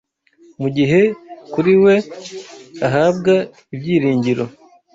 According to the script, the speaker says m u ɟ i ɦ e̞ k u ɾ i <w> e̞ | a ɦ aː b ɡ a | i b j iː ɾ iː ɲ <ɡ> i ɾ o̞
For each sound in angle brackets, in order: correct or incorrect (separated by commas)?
correct, incorrect